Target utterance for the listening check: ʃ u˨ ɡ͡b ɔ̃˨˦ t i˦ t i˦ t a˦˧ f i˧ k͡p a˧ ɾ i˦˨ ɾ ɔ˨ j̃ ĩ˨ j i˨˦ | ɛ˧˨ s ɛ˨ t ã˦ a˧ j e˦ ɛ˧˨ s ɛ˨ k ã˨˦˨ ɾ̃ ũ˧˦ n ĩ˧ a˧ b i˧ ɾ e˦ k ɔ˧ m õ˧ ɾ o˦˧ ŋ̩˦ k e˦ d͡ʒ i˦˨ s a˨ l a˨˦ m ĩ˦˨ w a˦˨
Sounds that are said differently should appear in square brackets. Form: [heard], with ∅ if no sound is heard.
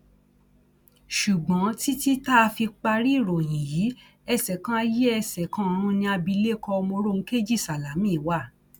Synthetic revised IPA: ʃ u˨ ɡ͡b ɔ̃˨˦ t i˦ t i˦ t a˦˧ f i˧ k͡p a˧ ɾ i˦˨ ɾ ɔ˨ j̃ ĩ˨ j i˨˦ | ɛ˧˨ s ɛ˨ [k] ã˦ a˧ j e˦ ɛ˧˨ s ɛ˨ k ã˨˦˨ ɾ̃ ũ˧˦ n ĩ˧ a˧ b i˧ [l] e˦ k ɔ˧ m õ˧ ɾ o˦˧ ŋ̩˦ k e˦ d͡ʒ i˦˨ s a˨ l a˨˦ m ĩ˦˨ w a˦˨

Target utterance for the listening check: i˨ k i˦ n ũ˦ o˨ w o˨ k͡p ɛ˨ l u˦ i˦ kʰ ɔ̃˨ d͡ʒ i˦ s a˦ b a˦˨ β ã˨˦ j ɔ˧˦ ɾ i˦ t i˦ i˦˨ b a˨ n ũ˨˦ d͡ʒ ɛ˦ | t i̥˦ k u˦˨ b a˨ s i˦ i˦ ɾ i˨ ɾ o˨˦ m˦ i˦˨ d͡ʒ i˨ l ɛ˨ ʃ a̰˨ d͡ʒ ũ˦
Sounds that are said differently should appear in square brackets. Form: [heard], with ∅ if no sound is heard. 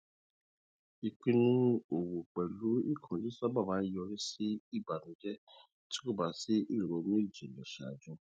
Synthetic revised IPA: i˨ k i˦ n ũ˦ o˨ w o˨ k͡p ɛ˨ l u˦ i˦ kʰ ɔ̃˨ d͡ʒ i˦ s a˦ b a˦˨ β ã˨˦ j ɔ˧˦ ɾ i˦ [s] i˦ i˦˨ b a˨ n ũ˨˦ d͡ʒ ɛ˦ | t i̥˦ k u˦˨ b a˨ s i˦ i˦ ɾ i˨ ɾ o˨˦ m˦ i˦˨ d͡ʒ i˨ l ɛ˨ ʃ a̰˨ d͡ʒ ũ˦

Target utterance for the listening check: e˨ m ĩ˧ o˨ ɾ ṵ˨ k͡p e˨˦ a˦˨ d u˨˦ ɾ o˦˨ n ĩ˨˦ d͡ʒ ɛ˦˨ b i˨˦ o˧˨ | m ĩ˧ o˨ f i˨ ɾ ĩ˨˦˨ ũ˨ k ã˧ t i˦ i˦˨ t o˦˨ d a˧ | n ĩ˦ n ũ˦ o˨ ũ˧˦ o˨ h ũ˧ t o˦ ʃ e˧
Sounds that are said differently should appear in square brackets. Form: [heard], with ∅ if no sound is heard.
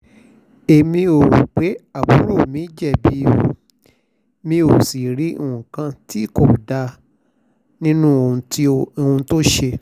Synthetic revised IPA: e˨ m ĩ˧ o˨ ɾ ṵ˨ k͡p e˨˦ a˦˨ [b] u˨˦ ɾ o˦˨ [m] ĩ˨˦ d͡ʒ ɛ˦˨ b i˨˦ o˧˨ | m ĩ˧ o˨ [s] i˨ ɾ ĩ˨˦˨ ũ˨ k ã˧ t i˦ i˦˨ [k] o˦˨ d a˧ | n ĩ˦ n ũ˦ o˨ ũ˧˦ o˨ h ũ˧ t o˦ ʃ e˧

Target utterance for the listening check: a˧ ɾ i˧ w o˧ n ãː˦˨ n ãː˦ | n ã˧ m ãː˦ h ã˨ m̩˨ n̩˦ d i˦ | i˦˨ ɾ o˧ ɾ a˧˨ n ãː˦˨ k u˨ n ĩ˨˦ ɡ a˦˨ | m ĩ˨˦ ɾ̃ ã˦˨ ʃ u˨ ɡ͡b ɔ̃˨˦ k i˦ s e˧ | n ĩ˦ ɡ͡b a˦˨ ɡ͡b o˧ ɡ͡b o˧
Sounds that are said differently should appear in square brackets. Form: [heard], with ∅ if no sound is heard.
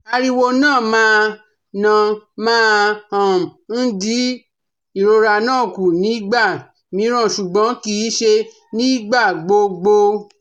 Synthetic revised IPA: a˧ ɾ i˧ w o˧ n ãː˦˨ [m] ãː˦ | n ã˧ m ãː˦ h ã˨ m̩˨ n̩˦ d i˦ | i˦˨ ɾ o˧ ɾ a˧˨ n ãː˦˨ k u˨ n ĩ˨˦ [ɡ͡b] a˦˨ | m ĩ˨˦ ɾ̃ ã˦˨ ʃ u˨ ɡ͡b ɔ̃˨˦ k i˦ [ʃ] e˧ | n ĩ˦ ɡ͡b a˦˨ ɡ͡b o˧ ɡ͡b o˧

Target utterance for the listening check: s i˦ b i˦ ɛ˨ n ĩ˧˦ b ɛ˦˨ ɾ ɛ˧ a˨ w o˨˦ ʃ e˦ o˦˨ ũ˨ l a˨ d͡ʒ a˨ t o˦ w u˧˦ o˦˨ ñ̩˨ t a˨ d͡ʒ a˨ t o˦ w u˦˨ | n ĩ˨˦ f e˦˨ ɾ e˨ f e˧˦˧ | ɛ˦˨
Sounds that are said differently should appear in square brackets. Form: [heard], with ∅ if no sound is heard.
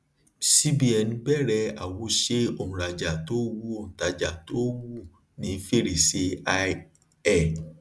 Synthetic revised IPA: s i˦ b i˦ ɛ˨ n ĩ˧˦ b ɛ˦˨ ɾ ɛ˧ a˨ w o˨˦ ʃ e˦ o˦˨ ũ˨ [ɾ] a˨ d͡ʒ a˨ t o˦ w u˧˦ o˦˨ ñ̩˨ t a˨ d͡ʒ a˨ t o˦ w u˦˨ | n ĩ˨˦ f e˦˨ ɾ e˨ [s] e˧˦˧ | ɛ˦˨

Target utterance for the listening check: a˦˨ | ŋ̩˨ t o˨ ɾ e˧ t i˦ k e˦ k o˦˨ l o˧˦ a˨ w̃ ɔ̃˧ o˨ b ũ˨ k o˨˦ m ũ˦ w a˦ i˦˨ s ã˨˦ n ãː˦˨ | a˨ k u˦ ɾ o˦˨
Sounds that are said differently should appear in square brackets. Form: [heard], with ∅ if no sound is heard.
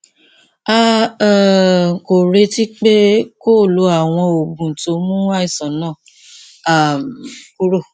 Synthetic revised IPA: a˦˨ | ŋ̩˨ [k] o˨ ɾ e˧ t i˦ [k͡p] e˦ k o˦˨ l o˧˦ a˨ w̃ ɔ̃˧ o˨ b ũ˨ [t] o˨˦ m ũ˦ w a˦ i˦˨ s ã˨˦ n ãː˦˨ | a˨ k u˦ ɾ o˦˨

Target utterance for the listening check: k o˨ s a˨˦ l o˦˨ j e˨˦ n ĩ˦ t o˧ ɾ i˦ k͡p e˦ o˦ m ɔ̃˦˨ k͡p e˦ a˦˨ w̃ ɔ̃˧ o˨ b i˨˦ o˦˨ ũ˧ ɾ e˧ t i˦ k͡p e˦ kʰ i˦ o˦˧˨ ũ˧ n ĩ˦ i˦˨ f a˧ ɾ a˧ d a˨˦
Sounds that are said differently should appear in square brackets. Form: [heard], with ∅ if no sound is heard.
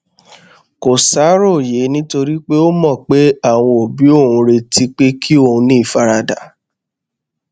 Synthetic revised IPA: k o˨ s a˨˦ [ɾ] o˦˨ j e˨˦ n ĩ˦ t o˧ ɾ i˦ k͡p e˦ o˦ m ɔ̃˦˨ k͡p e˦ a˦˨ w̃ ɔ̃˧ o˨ b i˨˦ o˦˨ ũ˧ ɾ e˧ t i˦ k͡p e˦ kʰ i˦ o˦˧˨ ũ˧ n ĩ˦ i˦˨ f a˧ ɾ a˧ d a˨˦

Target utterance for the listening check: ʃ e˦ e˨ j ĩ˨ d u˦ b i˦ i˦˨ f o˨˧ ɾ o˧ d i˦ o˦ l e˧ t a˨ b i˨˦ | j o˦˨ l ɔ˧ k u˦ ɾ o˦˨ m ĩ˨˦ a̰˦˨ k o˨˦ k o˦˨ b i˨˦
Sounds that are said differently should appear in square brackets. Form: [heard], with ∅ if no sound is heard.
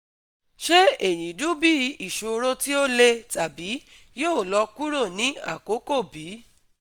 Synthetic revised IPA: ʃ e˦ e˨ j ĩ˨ d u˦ b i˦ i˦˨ [ʃ] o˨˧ ɾ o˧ [t] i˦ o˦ l e˧ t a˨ b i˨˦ | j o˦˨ l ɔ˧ k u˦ ɾ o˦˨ [n] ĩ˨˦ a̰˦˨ k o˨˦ k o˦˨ b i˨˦

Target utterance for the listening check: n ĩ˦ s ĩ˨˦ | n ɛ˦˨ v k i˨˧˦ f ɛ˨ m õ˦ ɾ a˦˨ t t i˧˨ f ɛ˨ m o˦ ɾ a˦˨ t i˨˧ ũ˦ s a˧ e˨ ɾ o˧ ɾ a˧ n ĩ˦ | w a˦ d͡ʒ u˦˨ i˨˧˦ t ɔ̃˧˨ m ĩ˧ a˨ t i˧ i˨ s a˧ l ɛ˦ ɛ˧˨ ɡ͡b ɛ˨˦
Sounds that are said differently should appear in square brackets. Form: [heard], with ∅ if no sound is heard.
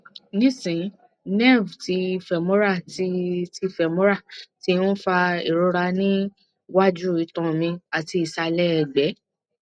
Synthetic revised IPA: n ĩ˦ s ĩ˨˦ | n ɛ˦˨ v [t] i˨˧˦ f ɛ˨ m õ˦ ɾ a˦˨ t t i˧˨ f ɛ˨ m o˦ ɾ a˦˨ t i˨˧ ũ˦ [f] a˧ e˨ ɾ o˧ ɾ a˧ n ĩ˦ | w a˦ d͡ʒ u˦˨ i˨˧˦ t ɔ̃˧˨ m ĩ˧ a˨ t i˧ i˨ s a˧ l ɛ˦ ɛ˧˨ ɡ͡b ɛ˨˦

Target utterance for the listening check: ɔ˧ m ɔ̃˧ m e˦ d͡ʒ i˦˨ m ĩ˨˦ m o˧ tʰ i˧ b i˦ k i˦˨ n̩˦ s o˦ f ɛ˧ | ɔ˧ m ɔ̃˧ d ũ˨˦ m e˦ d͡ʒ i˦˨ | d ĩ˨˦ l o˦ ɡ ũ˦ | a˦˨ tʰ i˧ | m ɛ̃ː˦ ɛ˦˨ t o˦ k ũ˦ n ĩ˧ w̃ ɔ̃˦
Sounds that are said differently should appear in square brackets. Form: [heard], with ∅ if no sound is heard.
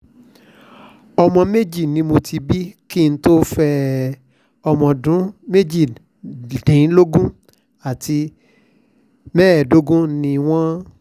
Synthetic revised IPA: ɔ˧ m ɔ̃˧ m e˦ d͡ʒ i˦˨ [n] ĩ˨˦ m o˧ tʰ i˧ b i˦ k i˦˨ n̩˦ [t] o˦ f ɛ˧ | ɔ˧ m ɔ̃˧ d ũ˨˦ m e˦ d͡ʒ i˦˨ | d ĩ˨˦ l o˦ ɡ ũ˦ | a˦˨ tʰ i˧ | m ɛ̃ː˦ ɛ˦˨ [d] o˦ [ɡ] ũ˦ n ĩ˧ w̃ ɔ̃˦

